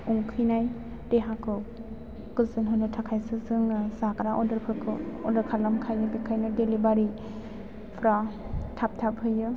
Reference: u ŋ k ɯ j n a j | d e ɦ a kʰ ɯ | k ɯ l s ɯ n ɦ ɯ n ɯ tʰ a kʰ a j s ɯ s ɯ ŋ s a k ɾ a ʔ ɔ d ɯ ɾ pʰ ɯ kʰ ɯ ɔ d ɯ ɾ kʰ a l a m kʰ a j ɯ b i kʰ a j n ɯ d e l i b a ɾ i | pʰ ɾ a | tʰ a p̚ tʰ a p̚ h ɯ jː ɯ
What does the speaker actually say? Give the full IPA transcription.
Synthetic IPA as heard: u ŋ kʰ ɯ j n a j | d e ɦ a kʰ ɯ | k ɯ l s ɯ n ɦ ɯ n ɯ tʰ a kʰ a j s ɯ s ɯ ŋ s a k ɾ a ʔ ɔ d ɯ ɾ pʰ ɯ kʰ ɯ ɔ d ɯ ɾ kʰ a l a m kʰ a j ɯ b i kʰ a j n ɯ d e l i b a ɾ i | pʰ ɾ a | tʰ a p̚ tʰ a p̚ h ɯ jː ɯ